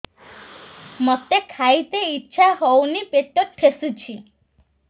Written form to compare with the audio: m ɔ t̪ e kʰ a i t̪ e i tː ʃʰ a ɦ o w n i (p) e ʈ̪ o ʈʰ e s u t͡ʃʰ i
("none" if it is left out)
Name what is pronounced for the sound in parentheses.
p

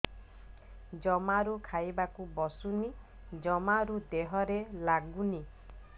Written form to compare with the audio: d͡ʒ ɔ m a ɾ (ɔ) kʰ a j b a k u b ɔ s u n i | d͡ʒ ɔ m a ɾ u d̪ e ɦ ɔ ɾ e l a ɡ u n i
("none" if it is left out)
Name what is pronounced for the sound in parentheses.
u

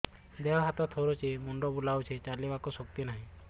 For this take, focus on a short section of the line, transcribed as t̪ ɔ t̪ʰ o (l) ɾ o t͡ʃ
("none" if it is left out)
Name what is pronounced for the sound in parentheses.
none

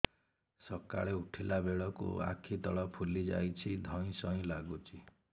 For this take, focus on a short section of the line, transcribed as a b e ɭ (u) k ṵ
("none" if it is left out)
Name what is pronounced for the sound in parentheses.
ɔ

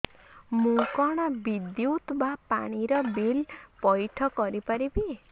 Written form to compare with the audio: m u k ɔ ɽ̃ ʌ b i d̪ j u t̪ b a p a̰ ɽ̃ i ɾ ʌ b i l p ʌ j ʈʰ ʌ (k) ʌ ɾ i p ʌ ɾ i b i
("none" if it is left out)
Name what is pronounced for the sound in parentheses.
k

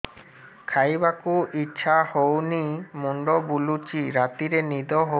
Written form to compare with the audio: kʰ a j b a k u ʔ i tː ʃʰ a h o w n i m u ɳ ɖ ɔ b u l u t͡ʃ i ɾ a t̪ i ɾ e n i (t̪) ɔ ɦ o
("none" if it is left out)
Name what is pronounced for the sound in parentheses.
d̪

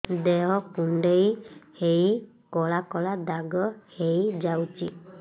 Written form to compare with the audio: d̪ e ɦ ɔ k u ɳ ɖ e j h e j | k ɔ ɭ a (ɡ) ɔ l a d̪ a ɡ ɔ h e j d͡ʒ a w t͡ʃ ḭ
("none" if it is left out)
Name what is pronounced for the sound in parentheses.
k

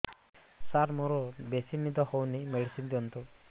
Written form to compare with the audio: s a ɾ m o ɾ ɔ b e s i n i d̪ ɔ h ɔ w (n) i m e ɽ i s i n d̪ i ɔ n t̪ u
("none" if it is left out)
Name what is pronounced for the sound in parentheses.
n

